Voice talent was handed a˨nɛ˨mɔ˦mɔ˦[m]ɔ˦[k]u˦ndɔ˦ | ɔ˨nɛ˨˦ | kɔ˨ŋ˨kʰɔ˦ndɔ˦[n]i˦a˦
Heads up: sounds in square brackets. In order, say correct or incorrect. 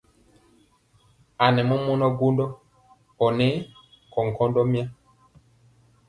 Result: incorrect, incorrect, incorrect

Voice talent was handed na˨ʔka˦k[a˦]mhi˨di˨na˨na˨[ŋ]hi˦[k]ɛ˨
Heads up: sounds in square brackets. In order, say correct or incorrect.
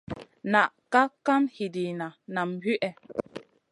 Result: correct, incorrect, incorrect

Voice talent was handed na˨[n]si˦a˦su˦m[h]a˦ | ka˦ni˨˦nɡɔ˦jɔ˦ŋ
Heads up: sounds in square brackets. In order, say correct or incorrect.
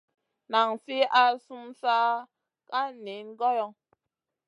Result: incorrect, incorrect

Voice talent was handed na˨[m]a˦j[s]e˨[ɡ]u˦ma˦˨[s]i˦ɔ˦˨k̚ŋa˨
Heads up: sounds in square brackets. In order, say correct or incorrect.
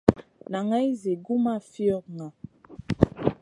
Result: incorrect, incorrect, correct, incorrect

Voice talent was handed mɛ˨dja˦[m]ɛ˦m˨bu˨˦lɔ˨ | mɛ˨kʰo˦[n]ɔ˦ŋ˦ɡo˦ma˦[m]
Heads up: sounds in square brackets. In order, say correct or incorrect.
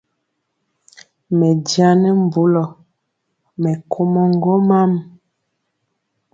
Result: incorrect, incorrect, correct

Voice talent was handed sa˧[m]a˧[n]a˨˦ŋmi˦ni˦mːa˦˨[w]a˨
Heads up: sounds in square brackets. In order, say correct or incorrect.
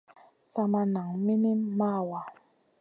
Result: correct, correct, correct

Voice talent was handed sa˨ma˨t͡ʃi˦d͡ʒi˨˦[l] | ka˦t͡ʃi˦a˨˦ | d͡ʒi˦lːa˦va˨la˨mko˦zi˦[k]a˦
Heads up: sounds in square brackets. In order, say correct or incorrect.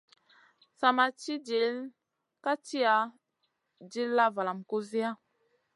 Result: correct, incorrect

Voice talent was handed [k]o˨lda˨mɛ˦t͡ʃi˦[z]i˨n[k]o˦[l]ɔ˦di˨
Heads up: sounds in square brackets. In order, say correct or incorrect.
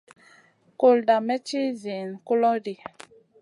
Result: correct, correct, correct, correct

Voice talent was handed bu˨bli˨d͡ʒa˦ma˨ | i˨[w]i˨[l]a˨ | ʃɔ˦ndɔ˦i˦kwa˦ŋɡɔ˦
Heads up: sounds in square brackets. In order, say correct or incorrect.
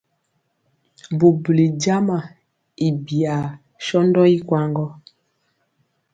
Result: incorrect, incorrect

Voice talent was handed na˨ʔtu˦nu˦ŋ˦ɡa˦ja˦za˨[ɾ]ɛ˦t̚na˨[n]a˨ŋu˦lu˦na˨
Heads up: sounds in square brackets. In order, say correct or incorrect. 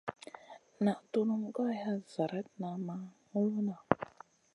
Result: correct, incorrect

